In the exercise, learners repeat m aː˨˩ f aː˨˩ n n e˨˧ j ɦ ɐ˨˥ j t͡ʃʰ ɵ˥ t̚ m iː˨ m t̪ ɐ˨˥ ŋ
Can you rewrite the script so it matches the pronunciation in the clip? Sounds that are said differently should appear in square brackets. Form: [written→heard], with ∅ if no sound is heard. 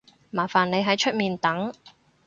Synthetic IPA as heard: m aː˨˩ f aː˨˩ n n e˨˧ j ɦ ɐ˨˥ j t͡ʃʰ ɵ˥ t̚ m iː˨ [m→n] t̪ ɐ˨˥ ŋ